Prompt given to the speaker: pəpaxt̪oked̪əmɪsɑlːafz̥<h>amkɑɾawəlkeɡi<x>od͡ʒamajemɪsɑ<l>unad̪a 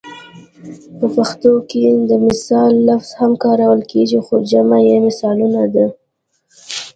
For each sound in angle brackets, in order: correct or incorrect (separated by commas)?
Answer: correct, correct, correct